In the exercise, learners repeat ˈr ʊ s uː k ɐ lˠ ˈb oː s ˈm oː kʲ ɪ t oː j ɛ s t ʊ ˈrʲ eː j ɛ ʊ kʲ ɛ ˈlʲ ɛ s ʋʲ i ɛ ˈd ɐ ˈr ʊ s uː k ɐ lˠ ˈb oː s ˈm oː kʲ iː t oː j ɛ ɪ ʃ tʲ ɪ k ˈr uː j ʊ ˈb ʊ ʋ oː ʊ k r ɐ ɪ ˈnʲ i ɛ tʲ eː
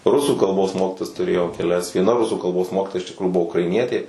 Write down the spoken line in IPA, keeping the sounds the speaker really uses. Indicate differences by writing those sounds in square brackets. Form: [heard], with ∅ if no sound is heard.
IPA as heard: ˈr ʊ s uː k ɐ lˠ ˈb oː s ˈm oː kʲ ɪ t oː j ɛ s t ʊ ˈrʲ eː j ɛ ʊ kʲ ɛ ˈlʲ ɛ s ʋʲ i ɛ [ˈn] ɐ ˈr ʊ s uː k ɐ lˠ ˈb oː s ˈm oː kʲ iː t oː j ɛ ɪ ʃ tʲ ɪ k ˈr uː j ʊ ˈb ʊ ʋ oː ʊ k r ɐ ɪ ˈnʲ i ɛ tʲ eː